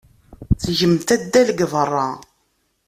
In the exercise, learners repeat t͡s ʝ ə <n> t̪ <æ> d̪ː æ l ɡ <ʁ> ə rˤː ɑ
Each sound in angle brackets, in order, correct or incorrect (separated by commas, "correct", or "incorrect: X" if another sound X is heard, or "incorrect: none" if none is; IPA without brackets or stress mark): incorrect: m, correct, incorrect: v